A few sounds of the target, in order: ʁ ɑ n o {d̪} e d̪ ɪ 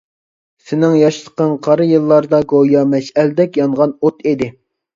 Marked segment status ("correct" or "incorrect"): incorrect